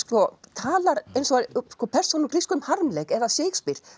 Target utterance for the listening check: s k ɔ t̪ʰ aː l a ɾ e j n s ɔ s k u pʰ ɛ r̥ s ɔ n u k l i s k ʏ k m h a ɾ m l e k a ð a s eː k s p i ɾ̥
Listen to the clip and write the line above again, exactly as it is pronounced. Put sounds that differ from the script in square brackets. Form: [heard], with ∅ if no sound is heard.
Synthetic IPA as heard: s k ɔ t̪ʰ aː l a ɾ e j n s ɔ s k [ɔ] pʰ ɛ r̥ s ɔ n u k [ɾ] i s k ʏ [∅] m h a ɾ m l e k [ɛ] ð a s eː k s p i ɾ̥